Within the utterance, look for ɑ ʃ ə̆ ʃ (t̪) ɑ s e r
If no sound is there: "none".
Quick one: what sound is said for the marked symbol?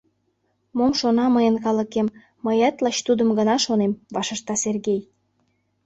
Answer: t̪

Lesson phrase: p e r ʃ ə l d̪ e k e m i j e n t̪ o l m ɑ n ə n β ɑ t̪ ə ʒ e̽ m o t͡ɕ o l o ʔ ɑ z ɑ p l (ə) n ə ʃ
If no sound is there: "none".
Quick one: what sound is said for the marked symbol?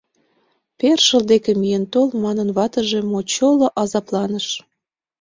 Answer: ɑ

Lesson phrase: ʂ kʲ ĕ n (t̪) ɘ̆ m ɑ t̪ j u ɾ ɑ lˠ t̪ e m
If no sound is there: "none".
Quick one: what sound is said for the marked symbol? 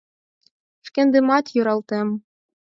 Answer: d̪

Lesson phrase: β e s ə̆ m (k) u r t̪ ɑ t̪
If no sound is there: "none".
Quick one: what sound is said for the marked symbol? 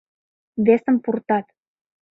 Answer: p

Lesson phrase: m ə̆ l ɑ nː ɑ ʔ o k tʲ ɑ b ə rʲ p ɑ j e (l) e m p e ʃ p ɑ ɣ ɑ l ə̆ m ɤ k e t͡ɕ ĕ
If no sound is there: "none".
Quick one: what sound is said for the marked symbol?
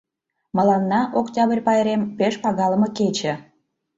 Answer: ɾ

